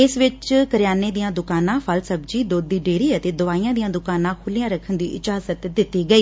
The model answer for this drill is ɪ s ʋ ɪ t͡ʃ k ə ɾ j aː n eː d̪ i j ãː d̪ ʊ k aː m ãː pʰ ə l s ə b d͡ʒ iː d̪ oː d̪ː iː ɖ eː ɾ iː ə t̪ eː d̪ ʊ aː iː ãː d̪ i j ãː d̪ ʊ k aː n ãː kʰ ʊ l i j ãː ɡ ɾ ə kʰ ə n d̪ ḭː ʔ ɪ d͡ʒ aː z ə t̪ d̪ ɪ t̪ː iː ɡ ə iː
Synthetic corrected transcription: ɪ s ʋ ɪ t͡ʃ k ə ɾ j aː n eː d̪ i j ãː d̪ ʊ k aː n ãː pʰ ə l s ə b d͡ʒ iː d̪ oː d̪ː iː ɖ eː ɾ iː ə t̪ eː d̪ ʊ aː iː ãː d̪ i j ãː d̪ ʊ k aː n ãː kʰ ʊ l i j ãː ɾ ə kʰ ə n d̪ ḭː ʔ ɪ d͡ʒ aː z ə t̪ d̪ ɪ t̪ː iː ɡ ə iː